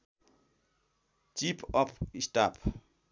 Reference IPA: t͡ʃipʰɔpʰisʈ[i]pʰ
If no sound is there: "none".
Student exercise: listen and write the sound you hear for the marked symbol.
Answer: a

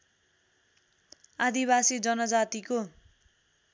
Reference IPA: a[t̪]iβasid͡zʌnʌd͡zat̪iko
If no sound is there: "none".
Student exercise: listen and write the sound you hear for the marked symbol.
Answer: d̪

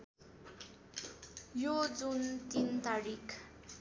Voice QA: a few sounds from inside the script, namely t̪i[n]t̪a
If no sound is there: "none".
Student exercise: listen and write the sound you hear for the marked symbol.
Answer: n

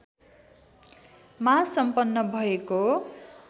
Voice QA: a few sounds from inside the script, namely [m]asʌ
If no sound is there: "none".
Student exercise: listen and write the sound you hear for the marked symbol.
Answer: m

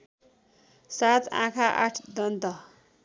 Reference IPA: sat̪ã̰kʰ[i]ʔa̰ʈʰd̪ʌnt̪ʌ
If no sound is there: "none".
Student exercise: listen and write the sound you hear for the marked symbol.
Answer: a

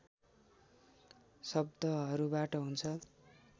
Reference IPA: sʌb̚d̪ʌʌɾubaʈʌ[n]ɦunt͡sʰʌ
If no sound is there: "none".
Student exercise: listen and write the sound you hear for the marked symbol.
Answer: none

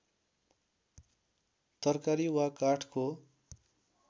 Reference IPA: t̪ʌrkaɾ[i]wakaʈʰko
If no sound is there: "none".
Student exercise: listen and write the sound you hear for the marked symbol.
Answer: i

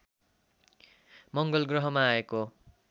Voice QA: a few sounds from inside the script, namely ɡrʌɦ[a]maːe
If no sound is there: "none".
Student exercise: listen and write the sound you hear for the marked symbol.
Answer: ʌ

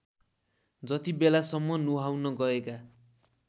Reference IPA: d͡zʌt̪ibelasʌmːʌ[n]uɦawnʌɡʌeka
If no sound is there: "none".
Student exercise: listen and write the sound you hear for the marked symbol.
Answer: n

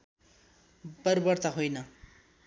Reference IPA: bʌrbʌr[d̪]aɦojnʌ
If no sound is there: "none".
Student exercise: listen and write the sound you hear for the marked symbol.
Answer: t̪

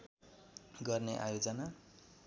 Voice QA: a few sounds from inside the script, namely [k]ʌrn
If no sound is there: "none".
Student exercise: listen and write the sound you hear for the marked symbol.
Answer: ɡ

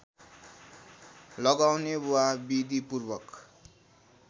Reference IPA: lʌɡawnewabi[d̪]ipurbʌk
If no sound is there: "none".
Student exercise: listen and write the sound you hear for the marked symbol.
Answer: d̪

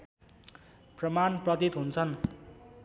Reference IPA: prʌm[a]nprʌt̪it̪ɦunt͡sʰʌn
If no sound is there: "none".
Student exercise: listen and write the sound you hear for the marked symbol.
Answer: a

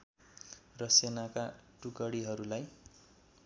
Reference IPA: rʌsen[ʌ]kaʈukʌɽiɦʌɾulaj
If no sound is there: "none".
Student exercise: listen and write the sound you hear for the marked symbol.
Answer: a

